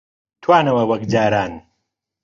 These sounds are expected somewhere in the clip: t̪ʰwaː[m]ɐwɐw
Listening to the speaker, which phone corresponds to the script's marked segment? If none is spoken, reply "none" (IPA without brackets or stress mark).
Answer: n